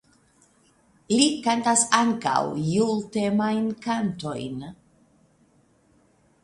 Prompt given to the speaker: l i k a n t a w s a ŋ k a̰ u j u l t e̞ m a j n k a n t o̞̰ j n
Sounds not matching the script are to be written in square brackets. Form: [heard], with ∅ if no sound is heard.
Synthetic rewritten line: l i k a n t a [∅] s a ŋ k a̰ [w] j u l t e̞ m a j n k a n t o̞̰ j n